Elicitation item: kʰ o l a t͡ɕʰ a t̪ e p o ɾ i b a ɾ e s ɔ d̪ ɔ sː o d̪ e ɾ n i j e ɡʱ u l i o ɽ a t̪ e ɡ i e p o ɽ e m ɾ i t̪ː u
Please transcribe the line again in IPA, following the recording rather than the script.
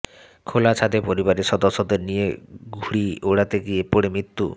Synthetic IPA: kʰ o l a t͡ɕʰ a d̪ e p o ɾ i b a ɾ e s ɔ d̪ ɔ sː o d̪ e ɾ n i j e ɡʱ u ɽ i o ɽ a t̪ e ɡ i e p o ɽ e m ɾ i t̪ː u